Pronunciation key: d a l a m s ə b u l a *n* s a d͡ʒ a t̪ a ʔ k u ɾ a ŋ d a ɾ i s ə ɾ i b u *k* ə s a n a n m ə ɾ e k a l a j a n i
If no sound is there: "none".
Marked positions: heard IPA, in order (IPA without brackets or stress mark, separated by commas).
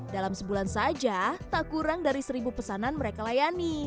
n, p